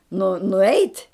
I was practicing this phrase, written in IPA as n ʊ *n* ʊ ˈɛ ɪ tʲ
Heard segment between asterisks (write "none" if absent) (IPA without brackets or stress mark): n